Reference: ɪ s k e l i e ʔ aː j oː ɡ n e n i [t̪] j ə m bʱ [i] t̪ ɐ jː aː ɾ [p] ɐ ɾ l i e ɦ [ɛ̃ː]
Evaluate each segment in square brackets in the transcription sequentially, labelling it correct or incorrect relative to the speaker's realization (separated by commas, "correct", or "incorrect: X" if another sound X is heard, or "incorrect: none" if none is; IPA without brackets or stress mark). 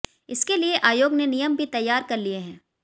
incorrect: none, correct, incorrect: k, correct